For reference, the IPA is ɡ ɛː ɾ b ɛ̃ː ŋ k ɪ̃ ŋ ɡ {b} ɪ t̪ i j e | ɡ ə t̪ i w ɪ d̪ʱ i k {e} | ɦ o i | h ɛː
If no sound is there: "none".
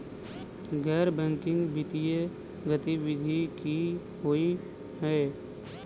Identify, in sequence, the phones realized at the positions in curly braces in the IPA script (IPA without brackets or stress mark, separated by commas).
b, i